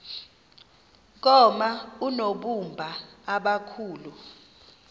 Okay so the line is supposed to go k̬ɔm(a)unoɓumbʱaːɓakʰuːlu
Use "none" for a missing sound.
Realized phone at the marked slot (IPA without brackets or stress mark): a